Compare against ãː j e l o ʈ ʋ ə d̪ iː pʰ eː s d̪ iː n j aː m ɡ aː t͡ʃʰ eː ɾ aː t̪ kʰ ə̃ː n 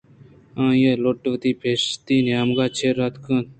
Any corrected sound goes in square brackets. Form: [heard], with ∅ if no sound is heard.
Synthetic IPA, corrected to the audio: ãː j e l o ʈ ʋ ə [t̪] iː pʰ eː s [t̪] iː n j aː m ɡ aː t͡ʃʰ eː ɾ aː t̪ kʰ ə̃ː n